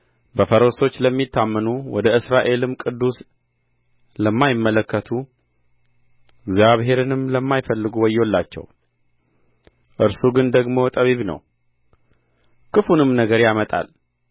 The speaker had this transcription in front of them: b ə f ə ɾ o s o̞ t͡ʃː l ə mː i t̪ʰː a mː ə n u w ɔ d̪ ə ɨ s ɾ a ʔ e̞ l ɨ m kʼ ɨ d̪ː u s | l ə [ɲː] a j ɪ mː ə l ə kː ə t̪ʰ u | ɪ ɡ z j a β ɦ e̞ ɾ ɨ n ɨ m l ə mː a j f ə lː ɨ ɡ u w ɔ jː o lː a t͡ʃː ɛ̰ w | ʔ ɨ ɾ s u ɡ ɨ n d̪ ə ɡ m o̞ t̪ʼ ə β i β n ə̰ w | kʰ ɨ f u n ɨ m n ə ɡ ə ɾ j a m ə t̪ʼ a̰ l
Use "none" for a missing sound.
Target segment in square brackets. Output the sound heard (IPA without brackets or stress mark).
mː